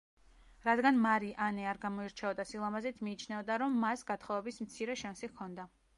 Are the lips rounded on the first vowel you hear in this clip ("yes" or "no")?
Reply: no